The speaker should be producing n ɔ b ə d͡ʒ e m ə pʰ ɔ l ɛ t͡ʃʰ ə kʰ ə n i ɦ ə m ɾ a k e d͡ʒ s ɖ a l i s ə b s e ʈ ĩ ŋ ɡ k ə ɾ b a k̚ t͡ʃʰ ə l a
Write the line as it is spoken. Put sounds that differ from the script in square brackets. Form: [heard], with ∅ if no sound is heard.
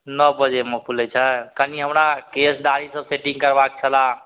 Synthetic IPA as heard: n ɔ b ə d͡ʒ e m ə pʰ [u] l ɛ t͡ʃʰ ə [k] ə n i ɦ ə m ɾ a k e [∅] s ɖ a [ɾ] i s ə b s e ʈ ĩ ŋ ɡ k ə ɾ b a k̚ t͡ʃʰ ə l a